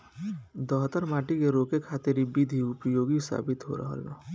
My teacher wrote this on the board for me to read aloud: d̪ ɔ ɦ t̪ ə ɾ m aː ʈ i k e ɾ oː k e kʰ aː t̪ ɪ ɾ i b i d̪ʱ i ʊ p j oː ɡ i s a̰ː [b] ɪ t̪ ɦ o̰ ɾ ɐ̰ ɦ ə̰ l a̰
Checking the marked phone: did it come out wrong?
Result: no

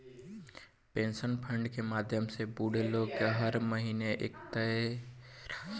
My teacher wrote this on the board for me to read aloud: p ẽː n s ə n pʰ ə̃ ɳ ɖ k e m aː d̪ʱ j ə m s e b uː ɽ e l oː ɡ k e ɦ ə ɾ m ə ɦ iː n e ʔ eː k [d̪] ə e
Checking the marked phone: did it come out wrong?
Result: yes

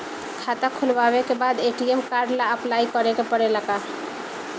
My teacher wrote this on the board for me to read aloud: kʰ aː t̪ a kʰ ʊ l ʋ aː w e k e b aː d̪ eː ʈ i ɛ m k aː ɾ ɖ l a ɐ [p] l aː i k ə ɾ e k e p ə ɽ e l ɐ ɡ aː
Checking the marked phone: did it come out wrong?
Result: no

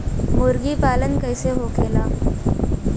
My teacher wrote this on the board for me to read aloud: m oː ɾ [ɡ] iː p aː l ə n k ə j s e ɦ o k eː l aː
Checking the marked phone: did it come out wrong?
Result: no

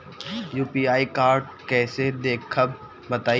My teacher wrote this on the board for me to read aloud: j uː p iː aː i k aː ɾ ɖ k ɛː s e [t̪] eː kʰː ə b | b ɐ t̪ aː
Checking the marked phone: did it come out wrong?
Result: yes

